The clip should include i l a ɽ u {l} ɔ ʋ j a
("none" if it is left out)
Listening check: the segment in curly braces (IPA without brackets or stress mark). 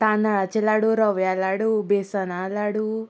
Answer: ɾ